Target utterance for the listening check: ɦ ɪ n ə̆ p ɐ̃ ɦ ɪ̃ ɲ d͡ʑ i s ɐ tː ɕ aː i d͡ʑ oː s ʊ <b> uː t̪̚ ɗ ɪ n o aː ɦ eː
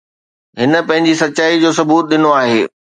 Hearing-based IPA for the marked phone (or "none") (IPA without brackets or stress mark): b